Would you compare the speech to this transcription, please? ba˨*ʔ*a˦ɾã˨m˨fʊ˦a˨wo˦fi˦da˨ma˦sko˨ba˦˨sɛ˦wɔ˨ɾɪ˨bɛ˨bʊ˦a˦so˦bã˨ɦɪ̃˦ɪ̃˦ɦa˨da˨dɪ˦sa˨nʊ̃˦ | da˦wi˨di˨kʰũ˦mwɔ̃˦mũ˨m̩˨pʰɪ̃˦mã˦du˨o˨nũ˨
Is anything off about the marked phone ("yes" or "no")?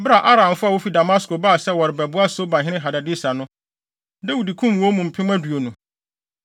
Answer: no